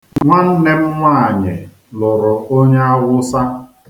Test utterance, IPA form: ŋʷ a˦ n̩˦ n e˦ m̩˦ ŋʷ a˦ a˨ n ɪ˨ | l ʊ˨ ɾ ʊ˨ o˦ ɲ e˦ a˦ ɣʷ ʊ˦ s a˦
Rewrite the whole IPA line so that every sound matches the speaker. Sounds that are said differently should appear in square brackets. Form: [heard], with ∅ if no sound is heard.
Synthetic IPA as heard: ŋʷ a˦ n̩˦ n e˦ m̩˦ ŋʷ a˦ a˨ [ɲ] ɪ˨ | l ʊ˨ ɾ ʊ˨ o˦ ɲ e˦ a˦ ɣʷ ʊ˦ s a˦